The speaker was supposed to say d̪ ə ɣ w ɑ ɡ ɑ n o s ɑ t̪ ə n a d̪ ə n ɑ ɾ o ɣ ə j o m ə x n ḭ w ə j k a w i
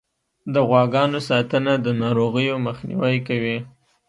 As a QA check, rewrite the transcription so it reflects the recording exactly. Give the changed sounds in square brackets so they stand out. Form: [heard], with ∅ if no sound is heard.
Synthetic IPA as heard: d̪ ə ɣ w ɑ ɡ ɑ n o s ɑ t̪ ə n a d̪ ə n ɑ ɾ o ɣ ə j o m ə x n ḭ w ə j k a w i

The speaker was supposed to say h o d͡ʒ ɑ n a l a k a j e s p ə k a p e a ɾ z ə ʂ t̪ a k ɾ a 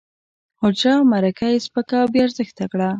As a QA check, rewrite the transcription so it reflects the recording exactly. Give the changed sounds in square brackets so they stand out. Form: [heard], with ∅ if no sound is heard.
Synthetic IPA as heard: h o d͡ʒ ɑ [m] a [ɾ] a k a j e s p ə k a [b] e a ɾ z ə [x] t̪ a k [ɽ] a

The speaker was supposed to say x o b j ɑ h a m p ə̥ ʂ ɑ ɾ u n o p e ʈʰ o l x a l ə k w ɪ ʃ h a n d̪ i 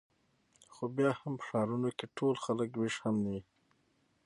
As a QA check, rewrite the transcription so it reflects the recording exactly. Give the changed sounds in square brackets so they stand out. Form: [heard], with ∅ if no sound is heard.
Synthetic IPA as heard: x o b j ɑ h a m p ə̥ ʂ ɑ ɾ u n o [k] e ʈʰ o l x a l ə k w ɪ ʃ h a [m] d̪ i

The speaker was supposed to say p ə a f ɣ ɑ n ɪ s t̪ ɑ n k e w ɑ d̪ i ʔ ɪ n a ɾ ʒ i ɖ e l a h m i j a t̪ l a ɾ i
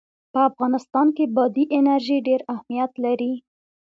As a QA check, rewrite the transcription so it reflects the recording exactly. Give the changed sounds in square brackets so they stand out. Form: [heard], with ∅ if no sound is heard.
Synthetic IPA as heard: p ə a f ɣ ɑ n ɪ s t̪ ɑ n k e [b] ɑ d̪ i ʔ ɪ n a ɾ ʒ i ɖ e [ɾ] a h m i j a t̪ l a ɾ i

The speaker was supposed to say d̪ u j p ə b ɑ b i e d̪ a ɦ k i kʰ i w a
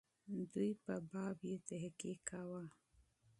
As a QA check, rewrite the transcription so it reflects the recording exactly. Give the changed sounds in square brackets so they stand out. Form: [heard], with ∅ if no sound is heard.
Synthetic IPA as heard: d̪ u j p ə b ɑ b [j] e [t̪] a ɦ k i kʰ [a] w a

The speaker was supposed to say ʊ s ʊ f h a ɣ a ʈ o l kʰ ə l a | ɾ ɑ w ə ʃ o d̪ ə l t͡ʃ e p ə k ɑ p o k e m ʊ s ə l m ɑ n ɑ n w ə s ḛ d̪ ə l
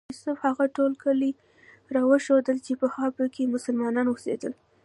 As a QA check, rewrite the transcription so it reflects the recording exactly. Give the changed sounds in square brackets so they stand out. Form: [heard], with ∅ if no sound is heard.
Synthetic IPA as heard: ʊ s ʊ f h a ɣ a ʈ o l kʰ ə l [i] | ɾ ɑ w ə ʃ o d̪ ə l t͡ʃ e p ə [x] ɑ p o k e m ʊ s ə l m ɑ n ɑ n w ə s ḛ d̪ ə l

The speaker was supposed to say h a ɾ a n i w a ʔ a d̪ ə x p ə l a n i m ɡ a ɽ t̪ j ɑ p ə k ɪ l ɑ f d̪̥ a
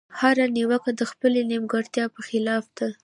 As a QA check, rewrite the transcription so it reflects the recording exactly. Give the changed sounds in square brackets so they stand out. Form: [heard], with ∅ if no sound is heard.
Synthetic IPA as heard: h a ɾ a n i w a [k] a d̪ ə x p ə l [e] n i m ɡ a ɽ t̪ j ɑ p ə [x] ɪ l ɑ f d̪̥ a

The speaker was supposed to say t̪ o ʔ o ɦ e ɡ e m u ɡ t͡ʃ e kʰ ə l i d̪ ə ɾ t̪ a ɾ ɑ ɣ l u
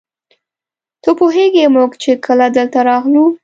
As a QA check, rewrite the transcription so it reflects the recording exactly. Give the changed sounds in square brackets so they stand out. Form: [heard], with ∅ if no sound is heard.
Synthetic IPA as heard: t̪ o [p] o ɦ e ɡ e m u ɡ t͡ʃ e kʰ ə l [a] d̪ ə [l] t̪ a ɾ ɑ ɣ l u

